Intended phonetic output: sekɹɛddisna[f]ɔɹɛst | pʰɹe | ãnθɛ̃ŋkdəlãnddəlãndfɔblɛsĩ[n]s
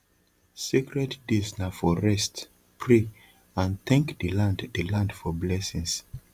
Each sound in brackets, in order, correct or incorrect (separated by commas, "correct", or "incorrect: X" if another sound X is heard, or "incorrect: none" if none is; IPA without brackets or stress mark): correct, incorrect: ŋ